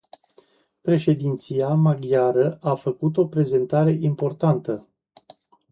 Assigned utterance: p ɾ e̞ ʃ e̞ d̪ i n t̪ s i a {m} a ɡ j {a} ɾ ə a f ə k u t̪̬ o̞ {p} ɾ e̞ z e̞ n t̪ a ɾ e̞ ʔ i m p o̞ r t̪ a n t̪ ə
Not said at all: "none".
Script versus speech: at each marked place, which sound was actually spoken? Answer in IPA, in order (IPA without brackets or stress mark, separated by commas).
m, a, p